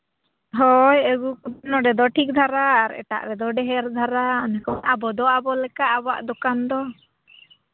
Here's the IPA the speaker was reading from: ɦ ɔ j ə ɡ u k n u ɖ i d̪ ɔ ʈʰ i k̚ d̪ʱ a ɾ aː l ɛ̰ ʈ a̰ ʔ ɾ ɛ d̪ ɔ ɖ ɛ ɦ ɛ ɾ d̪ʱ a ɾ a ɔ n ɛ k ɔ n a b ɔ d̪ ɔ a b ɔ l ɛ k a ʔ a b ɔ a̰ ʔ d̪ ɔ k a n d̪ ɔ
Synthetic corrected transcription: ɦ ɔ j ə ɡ u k n ɔ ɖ ɛ d̪ ɔ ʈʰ i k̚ d̪ʱ a ɾ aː ɾ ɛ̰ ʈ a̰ ʔ ɾ ɛ d̪ ɔ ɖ ɛ ɦ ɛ ɾ d̪ʱ a ɾ a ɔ n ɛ k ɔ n a b ɔ d̪ ɔ a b ɔ l ɛ k a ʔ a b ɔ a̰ ʔ d̪ ɔ k a n d̪ ɔ